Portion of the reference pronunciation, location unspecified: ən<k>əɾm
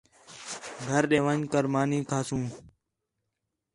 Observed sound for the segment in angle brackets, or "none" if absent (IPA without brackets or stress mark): k